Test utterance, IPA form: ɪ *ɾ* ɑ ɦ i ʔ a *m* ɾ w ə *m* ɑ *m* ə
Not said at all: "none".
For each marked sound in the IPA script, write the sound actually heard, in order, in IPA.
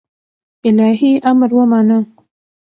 l, m, m, n

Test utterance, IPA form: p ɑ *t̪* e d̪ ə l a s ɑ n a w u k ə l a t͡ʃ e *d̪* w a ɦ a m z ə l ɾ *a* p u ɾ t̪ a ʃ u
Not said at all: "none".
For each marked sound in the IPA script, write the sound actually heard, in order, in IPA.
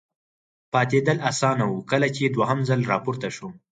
t̪, d̪, ɑ

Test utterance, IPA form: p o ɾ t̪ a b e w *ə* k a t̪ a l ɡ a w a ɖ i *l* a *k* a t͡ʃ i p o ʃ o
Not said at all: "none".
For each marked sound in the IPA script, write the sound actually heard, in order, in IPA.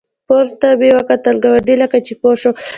a, l, k

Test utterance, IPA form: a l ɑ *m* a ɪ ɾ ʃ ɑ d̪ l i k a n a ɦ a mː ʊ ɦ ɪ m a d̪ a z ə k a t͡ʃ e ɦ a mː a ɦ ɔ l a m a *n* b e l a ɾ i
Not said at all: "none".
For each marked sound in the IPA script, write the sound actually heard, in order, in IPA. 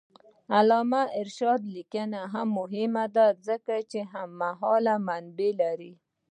m, n

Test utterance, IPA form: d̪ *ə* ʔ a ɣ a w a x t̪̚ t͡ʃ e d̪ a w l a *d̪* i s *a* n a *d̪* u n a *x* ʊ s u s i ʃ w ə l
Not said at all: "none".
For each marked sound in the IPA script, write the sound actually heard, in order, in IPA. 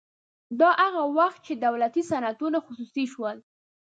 ɑ, t̪, a, t̪, x

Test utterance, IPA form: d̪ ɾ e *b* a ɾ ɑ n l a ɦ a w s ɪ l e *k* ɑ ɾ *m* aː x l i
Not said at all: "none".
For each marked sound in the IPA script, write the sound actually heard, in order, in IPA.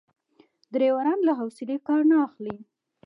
w, k, n

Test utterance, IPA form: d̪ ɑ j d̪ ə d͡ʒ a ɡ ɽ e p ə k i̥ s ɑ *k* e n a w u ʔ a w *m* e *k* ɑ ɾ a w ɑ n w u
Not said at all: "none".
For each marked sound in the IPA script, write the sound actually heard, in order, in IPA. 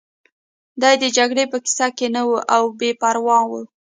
k, b, p

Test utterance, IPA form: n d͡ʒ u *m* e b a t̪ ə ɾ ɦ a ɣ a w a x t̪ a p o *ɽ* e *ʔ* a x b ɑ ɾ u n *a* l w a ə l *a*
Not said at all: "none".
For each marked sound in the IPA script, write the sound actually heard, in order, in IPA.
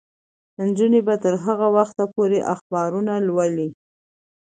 n, ɾ, ʔ, a, i

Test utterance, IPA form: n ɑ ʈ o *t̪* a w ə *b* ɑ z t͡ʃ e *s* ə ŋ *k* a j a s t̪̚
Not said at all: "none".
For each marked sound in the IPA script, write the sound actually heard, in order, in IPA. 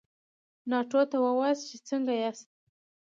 t̪, w, t͡s, ɡ

